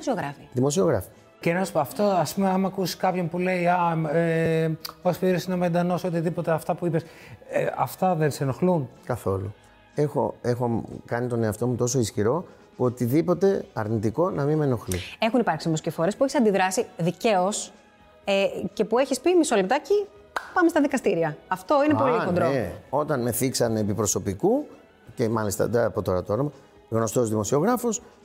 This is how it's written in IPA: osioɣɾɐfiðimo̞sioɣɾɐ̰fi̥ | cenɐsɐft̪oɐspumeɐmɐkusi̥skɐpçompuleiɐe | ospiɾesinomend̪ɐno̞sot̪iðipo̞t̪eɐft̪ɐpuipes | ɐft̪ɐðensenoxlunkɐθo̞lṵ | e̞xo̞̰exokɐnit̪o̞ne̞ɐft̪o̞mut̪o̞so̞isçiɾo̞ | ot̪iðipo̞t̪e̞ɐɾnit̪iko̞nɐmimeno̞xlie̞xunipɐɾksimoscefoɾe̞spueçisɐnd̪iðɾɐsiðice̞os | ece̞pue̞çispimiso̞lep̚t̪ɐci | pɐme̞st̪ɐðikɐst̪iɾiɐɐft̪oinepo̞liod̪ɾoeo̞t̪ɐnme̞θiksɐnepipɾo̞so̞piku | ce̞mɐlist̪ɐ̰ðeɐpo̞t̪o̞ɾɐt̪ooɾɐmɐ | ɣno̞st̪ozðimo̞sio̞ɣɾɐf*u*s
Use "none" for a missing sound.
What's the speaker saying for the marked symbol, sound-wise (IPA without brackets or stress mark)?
o